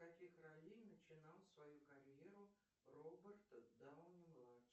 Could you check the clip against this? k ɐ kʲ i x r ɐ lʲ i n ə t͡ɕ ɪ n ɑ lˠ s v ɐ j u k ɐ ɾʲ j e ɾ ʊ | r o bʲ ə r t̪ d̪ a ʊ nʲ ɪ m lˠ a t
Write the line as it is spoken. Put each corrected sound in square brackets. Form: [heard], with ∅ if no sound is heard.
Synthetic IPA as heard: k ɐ kʲ i x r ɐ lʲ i n ə t͡ɕ ɪ n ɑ lˠ s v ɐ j u k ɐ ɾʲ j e ɾ ʊ | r o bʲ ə r t̪ d̪ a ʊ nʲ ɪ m lˠ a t